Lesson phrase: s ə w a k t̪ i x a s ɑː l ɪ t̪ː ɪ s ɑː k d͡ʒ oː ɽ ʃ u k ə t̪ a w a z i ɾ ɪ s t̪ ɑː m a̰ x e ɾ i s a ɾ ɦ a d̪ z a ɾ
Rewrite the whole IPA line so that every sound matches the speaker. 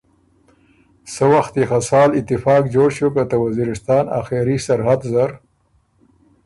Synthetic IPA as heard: s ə w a x t̪ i x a s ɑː l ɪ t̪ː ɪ f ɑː k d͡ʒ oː ɽ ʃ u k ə t̪ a w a z i ɾ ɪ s t̪ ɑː n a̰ x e ɾ i s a ɾ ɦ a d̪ z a ɾ